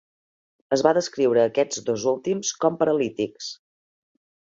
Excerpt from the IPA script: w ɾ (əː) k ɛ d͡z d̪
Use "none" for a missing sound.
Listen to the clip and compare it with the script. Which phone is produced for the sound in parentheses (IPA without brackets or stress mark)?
əː